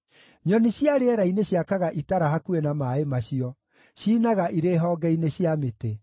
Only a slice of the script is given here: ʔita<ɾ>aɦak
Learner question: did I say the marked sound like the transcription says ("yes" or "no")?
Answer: yes